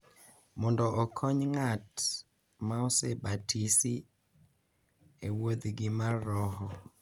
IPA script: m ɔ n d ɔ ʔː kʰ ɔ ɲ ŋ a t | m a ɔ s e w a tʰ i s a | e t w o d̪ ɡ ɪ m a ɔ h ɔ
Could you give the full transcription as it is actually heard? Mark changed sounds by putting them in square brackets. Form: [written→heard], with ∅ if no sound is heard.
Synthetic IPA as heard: m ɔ n d ɔ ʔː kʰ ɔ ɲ ŋ a t | m a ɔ s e [w→b] a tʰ i s [a→i] | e [t→∅] w o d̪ ɡ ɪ m a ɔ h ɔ

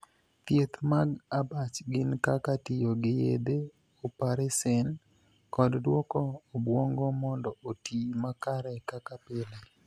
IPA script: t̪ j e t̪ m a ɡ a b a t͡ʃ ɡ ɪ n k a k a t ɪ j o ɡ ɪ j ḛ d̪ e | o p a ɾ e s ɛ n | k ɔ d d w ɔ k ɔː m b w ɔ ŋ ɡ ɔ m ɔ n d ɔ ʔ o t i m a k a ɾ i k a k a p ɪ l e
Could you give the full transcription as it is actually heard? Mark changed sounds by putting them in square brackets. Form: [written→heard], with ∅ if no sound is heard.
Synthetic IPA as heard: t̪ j e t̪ m a ɡ a b a t͡ʃ ɡ ɪ n k a k a t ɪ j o ɡ ɪ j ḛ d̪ e | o p a ɾ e s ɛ n | k ɔ d d w ɔ k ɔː [m→∅] b w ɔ ŋ ɡ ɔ m ɔ n d ɔ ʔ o t i m a k a ɾ [i→ɛ] k a k a p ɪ l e

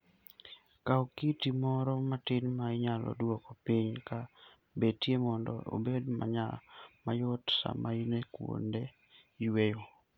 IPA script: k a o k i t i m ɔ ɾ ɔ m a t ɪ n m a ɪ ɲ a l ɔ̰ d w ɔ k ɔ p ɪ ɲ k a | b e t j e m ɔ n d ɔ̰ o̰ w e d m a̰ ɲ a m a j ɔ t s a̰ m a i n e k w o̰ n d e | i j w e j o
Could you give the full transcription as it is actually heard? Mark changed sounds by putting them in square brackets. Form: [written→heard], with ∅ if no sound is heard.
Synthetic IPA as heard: k a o k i t i m ɔ ɾ ɔ m a t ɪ n m a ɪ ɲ a l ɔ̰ d w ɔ k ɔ p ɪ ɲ k a | b e t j e m ɔ n d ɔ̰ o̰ [w→b] e d m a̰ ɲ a m a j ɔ t s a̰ m a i n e k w o̰ n d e | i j w e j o

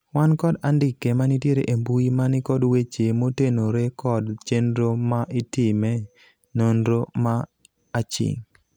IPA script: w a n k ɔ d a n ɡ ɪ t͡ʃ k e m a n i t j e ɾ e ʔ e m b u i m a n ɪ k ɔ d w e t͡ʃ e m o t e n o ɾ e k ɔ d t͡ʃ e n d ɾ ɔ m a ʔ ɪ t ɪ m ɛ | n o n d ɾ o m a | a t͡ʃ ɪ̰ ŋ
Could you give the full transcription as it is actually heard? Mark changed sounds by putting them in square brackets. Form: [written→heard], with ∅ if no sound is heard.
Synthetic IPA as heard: w a n k ɔ d a n [ɡ→d] ɪ [t͡ʃ→∅] k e m a n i t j e ɾ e ʔ e m b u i m a n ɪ k ɔ d w e t͡ʃ e m o t e n o ɾ e k ɔ d t͡ʃ e n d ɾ [ɔ→o] m a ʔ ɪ t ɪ m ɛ | n o n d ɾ o m a | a t͡ʃ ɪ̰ ŋ

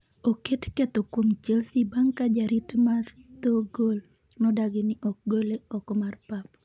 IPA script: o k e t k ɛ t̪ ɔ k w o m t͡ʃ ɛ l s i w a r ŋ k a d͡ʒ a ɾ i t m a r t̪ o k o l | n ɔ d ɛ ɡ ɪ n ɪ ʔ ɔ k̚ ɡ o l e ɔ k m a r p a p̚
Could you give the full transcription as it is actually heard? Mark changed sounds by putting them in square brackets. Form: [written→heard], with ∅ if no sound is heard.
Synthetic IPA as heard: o k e t k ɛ t̪ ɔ k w o m t͡ʃ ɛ l s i [w→b] a [r→∅] ŋ k a d͡ʒ a ɾ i t m a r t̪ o [k→ɡ] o l | n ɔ d [ɛ→a] ɡ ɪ n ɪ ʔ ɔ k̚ ɡ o l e ɔ k m a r p a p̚

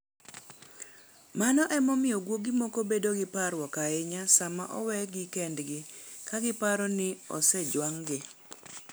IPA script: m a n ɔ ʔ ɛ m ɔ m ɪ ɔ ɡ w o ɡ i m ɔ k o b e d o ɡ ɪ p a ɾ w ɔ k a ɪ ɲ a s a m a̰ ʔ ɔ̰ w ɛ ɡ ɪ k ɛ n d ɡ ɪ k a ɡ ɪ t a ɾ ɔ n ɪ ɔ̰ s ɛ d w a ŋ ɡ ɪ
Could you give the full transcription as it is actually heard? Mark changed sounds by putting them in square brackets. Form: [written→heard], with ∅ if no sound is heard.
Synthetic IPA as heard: m a n ɔ ʔ ɛ m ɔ m ɪ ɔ ɡ w o ɡ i m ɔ k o b e d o ɡ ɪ p a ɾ w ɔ k a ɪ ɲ a s a m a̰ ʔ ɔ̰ w ɛ ɡ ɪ k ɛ n d ɡ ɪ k a ɡ ɪ [t→p] a ɾ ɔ n ɪ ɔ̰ s ɛ [d→d͡ʒ] w a ŋ ɡ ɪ

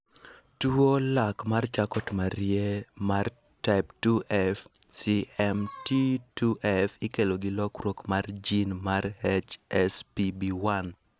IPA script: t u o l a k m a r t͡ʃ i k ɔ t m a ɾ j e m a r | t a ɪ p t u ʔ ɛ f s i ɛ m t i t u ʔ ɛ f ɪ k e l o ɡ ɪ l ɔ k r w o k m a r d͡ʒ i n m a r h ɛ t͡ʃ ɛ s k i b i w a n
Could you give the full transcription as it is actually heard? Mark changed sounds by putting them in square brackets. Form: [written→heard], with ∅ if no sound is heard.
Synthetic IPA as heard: t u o l a k m a r t͡ʃ [i→a] k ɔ t m a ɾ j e m a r | t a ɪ p t u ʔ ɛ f s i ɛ m t i t u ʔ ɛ f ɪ k e l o ɡ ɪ l ɔ k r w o k m a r d͡ʒ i n m a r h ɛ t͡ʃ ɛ s [k→p] i b i w a n

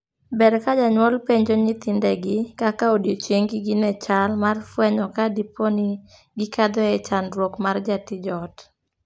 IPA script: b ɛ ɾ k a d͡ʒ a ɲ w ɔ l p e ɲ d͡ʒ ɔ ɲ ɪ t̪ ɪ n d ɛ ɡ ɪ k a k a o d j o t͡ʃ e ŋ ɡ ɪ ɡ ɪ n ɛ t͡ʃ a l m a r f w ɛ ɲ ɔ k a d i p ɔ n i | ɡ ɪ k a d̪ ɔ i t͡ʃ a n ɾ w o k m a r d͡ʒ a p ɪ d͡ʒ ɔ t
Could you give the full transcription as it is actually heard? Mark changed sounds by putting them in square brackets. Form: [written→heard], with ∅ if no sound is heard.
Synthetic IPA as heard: b ɛ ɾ k a d͡ʒ a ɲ w ɔ l p e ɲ d͡ʒ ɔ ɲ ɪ t̪ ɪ n d ɛ ɡ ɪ k a k a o d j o t͡ʃ e ŋ ɡ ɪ ɡ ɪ n ɛ t͡ʃ a l m a r f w ɛ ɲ ɔ k a d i p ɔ n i | ɡ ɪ k a d̪ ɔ [i→ɛ] t͡ʃ a n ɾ w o k m a r d͡ʒ a [p→t] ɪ d͡ʒ ɔ t

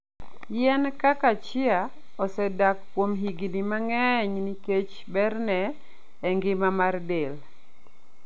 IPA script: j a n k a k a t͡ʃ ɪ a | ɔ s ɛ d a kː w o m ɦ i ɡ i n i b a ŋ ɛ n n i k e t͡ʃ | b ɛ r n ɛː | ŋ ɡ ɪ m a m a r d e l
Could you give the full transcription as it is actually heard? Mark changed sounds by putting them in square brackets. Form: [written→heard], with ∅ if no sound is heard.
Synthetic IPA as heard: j [a→ɛ] n k a k a t͡ʃ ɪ a | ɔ s ɛ d a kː w o m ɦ i ɡ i n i [b→m] a ŋ ɛ [n→ɲ] n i k e t͡ʃ | b ɛ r n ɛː | ŋ ɡ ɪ m a m a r d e l

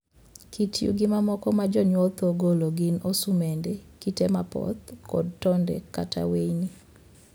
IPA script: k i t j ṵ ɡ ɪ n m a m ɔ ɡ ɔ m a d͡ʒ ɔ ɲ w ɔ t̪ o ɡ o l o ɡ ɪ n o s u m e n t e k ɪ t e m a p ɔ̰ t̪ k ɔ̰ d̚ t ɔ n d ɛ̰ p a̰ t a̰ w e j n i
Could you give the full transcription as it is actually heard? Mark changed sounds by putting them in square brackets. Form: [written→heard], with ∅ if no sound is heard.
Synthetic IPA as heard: k i t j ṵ ɡ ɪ [n→∅] m a m ɔ [ɡ→k] ɔ m a d͡ʒ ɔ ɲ w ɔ t̪ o ɡ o l o ɡ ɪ n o s u m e n [t→d] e k [ɪ→i] t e m a p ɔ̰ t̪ k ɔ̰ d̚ t ɔ n d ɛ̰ [p→k] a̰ t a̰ w e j n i

